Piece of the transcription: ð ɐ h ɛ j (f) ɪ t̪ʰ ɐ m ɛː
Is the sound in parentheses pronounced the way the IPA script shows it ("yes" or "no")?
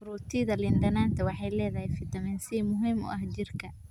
yes